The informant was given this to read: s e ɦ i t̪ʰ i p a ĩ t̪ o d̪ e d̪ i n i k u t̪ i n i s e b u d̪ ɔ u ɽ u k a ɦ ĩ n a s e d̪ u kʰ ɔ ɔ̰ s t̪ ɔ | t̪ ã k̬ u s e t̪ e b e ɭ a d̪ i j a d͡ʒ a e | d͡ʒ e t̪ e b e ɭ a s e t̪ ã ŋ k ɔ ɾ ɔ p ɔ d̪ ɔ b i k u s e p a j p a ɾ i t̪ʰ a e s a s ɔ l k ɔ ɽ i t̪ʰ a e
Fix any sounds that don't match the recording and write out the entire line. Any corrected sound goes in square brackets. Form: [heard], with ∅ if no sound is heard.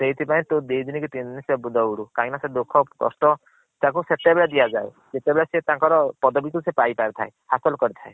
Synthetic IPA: s e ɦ i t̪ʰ i p a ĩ t̪ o d̪ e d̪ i n i k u t̪ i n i s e b u d̪ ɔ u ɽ u k a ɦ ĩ n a s e d̪ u kʰ ɔ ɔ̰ s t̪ ɔ | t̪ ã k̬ u s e t̪ e b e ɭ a d̪ i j a d͡ʒ a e | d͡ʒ e t̪ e b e ɭ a s e t̪ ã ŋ k ɔ ɾ ɔ p ɔ d̪ ɔ b i k u s e p a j p a ɾ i t̪ʰ a e [h] a s ɔ l k ɔ [ɾ] i t̪ʰ a e